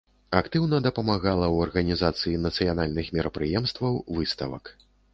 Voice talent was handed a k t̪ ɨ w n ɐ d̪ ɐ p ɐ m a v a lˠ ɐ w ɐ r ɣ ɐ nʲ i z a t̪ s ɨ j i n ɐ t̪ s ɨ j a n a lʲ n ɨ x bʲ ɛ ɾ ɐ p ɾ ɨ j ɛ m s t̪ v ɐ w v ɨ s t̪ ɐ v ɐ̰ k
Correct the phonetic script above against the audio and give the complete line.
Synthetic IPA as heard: a k t̪ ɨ w n ɐ d̪ ɐ p ɐ m a ɣ a lˠ ɐ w ɐ r ɣ ɐ nʲ i z a t̪ s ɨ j i n ɐ t̪ s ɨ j a n a lʲ n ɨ x mʲ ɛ ɾ ɐ p ɾ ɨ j ɛ m s t̪ v ɐ w v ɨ s t̪ ɐ v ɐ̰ k